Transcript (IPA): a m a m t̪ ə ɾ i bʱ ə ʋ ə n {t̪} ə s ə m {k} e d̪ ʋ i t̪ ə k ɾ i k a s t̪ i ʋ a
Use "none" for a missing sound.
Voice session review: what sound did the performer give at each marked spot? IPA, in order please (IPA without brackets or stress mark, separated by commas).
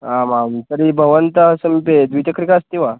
t̪, p